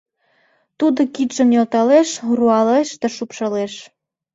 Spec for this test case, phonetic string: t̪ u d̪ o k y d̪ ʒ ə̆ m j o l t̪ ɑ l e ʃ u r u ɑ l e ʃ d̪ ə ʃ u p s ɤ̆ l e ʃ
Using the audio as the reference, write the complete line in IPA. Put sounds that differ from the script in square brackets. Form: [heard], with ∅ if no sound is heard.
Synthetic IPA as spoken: t̪ u d̪ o k [i] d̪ ʒ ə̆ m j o l t̪ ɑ l e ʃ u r u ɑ l e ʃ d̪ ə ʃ u p [ʃ] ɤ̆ l e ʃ